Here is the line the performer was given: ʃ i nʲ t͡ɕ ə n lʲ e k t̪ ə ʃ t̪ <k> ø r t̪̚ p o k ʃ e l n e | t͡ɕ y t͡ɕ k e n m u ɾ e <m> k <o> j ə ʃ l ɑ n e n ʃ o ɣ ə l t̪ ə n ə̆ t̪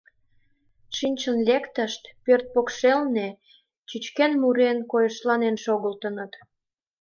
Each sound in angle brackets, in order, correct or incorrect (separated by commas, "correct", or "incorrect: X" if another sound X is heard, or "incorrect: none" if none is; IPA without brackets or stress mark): incorrect: p, incorrect: n, correct